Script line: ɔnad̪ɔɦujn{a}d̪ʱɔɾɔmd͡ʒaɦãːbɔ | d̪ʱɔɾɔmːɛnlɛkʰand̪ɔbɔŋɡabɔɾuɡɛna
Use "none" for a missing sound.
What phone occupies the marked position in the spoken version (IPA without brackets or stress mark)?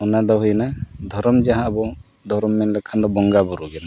a